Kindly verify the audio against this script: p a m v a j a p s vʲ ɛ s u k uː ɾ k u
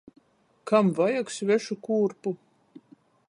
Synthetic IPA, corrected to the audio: k a m v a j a k s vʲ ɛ ʃ u k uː ɾ p u